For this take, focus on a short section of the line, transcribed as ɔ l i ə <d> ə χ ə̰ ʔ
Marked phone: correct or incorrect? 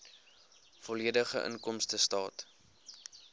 correct